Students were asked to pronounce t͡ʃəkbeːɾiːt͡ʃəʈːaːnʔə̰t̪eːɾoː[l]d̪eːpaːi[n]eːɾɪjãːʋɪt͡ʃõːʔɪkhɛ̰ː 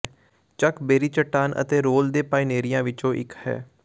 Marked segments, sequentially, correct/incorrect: correct, correct

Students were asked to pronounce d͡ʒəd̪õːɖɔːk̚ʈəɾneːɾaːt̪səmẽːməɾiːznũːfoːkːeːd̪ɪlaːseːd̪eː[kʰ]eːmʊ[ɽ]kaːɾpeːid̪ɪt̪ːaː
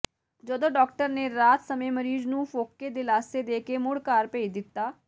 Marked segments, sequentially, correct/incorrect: incorrect: k, correct

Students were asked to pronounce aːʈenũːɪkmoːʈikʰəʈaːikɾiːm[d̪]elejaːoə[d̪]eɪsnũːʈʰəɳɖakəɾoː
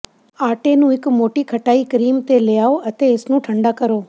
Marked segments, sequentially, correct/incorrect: incorrect: t̪, incorrect: t̪

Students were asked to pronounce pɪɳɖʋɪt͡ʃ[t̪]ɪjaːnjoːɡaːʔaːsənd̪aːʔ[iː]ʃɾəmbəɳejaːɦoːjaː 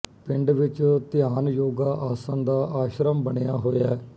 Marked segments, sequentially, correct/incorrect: correct, incorrect: aː

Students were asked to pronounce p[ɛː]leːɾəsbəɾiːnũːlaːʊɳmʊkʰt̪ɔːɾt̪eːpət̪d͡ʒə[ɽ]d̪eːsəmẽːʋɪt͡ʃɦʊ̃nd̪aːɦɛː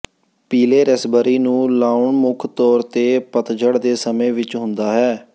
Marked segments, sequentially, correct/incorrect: incorrect: iː, correct

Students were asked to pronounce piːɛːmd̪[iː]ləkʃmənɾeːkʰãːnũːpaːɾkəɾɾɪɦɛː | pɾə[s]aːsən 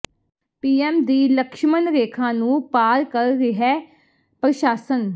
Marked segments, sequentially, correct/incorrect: correct, incorrect: ʃ

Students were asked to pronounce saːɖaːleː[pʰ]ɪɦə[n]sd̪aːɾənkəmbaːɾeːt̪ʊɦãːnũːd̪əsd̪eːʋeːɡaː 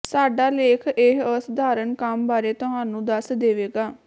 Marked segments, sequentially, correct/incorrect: incorrect: kʰ, incorrect: none

